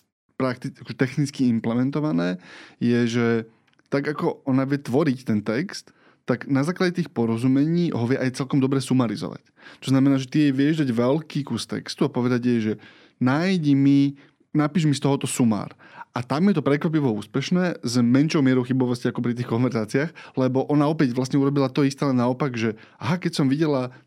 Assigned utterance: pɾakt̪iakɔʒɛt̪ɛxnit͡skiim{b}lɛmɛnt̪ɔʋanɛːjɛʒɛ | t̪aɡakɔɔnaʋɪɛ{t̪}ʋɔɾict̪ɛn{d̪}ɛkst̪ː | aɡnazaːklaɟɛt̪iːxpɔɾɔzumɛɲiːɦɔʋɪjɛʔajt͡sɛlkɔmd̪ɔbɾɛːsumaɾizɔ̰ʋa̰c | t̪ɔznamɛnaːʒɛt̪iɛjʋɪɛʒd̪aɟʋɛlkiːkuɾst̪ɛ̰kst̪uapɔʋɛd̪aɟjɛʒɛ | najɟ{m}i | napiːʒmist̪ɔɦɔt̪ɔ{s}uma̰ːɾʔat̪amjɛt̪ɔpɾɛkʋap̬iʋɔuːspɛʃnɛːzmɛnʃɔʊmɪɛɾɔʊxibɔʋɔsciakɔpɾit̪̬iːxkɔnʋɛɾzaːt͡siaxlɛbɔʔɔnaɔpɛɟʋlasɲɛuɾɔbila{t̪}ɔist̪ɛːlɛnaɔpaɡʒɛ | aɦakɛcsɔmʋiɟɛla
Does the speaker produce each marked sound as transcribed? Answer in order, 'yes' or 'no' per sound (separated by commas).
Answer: no, yes, no, yes, yes, yes